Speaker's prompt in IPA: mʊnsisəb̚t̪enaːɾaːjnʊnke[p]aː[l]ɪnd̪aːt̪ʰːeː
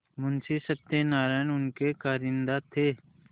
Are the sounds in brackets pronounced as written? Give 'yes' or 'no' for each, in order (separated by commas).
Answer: no, no